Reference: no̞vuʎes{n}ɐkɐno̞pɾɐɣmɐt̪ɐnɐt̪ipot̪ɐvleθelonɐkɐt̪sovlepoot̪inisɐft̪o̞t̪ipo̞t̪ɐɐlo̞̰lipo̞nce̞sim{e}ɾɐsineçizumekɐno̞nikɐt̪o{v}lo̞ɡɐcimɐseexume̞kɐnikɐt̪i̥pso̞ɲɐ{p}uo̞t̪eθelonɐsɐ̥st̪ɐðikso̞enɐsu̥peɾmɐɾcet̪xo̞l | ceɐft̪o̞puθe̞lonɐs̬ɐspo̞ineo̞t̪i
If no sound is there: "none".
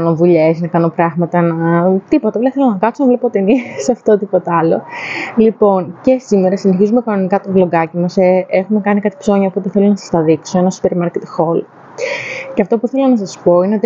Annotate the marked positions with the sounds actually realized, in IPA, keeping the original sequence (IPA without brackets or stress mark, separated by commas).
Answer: n, e, v, p